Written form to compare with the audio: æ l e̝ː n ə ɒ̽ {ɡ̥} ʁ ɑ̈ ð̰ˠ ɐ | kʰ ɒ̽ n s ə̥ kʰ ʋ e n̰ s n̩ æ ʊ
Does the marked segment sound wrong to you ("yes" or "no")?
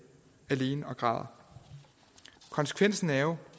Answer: no